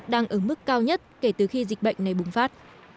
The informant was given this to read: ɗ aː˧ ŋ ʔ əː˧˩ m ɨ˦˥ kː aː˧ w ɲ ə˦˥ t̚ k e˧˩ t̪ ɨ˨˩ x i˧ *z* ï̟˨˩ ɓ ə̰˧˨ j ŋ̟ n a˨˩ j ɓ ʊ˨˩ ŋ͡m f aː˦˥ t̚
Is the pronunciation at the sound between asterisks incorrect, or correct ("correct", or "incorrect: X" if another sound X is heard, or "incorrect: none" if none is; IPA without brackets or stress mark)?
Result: correct